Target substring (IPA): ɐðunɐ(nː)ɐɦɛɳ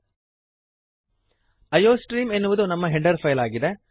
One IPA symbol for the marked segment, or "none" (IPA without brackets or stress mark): mː